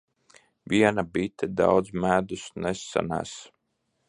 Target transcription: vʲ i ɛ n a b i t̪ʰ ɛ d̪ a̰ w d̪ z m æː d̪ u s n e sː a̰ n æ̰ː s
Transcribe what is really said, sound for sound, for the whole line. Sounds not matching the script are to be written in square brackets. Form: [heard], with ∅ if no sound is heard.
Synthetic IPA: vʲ i ɛ n a b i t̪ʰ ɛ d̪ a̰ w d̪ z m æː d̪ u s n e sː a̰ n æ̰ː s